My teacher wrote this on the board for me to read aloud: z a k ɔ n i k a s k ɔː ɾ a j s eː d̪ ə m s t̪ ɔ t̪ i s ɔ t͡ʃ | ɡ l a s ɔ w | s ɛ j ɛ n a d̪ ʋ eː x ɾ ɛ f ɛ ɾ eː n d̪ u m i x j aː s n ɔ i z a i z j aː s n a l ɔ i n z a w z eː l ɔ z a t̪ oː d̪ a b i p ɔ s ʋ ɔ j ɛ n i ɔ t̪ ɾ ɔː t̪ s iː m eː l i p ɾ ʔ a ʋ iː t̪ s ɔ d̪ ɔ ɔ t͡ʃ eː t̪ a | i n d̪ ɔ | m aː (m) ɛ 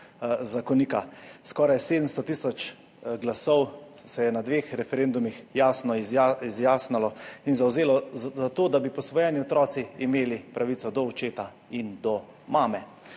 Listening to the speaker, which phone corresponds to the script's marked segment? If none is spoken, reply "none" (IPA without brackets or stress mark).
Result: m